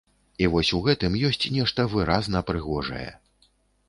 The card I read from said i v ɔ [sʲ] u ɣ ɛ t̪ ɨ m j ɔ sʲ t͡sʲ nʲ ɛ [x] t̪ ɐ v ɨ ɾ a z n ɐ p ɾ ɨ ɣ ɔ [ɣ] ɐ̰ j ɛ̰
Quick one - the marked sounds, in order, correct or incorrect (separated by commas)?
correct, incorrect, incorrect